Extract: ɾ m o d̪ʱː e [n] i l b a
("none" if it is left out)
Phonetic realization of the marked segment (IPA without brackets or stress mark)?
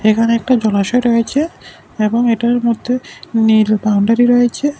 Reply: n